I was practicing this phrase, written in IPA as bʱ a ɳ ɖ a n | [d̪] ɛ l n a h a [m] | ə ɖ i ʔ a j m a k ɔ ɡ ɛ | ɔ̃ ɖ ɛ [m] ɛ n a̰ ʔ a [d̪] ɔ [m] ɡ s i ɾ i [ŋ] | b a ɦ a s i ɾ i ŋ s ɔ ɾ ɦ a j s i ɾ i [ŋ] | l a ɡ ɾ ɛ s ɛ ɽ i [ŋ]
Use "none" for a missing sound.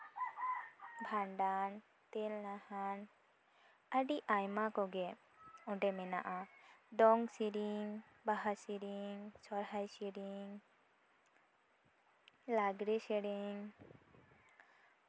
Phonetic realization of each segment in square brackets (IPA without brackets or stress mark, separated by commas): t̪, n, m, d̪, ŋ, ŋ, ŋ, ŋ